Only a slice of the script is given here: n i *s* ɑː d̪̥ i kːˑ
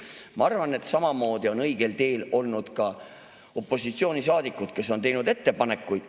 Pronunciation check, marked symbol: correct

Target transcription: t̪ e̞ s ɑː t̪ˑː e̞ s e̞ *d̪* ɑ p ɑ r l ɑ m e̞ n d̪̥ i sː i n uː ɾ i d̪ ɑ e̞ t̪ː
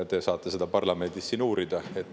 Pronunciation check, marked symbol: correct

